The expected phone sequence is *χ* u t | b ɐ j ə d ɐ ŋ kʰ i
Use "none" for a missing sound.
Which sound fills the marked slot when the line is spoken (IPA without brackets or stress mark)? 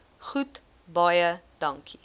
χ